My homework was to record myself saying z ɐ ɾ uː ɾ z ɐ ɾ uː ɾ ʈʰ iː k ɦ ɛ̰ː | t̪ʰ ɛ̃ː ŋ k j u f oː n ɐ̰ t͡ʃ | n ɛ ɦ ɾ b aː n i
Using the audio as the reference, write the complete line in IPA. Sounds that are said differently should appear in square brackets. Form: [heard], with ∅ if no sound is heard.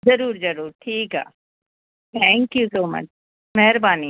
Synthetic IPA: z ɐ ɾ uː ɾ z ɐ ɾ uː ɾ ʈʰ iː k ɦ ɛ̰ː | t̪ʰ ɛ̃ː ŋ k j u [s] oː [m] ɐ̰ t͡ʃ | [m] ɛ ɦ ɾ b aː n i